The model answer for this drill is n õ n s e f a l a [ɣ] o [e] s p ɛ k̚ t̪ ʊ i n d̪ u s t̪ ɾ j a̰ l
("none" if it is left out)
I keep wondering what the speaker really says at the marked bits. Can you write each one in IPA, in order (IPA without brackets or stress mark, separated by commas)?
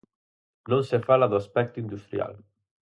ð, a